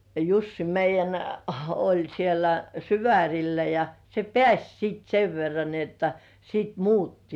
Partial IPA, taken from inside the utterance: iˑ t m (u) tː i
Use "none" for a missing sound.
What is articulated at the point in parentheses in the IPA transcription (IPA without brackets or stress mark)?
uː